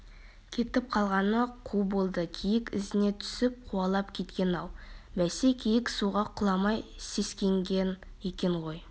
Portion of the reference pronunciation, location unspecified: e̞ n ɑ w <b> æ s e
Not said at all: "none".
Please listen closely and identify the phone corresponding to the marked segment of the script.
b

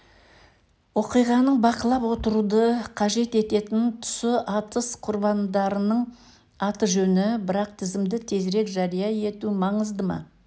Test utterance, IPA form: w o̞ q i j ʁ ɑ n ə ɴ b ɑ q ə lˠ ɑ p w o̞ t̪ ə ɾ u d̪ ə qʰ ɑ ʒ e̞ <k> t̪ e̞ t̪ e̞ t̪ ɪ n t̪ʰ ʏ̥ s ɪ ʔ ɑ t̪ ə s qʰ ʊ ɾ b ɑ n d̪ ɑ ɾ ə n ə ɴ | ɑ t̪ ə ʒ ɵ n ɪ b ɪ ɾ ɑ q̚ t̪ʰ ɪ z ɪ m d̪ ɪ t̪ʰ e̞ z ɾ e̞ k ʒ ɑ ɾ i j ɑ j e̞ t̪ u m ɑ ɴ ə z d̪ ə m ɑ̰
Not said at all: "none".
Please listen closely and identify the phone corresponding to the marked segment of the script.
none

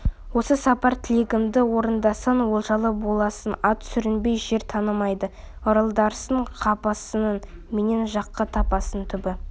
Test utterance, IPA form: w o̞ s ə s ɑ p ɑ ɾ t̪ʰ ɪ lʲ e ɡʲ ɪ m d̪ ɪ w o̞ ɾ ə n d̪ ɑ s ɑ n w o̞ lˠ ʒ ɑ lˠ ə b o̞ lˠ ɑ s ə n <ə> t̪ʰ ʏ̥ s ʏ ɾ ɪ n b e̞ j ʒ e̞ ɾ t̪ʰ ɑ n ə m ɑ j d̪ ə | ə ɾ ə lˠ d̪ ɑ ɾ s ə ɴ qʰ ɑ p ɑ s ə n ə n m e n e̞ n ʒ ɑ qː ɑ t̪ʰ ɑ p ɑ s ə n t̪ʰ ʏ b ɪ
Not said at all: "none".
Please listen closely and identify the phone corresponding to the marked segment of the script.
ɑ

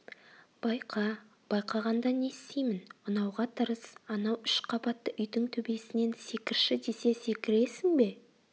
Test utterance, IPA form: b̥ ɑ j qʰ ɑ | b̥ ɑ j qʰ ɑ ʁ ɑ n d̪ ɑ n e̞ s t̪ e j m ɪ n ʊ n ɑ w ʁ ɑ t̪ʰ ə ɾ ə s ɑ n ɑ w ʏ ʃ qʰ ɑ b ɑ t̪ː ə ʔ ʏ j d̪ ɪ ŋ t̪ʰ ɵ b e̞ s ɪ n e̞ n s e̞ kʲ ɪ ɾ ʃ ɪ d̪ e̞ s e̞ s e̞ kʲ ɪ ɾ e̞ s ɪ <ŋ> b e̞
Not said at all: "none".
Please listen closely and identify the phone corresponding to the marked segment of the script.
ŋ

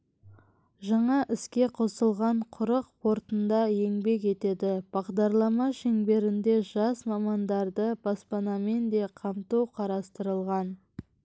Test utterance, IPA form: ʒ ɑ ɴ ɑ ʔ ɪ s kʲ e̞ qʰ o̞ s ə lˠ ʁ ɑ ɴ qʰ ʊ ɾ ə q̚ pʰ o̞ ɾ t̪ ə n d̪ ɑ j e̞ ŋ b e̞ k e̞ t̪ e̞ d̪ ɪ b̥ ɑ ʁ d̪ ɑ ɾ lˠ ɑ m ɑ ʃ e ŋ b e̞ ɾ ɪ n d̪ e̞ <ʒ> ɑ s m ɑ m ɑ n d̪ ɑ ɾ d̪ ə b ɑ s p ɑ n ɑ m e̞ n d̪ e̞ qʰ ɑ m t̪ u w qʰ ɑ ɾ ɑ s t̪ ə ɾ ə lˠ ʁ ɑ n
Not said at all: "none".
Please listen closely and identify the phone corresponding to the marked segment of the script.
ʒ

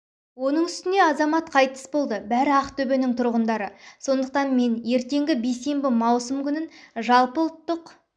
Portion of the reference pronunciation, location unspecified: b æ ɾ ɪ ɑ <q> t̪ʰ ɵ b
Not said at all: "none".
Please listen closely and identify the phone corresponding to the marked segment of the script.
q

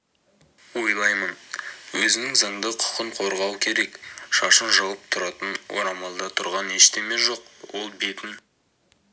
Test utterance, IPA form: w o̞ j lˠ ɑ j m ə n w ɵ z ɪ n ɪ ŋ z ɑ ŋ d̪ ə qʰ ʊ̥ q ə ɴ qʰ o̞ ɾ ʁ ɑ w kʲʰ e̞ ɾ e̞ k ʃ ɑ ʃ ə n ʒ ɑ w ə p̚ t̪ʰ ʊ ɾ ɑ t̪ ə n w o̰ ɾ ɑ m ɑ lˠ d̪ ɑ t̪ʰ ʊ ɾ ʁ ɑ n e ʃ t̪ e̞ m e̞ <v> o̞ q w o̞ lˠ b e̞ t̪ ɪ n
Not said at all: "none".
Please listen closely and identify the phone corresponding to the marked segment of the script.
ʒ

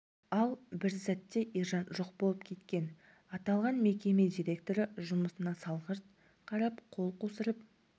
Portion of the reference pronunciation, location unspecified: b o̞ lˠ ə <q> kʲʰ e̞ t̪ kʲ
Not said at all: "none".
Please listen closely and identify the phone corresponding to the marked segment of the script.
p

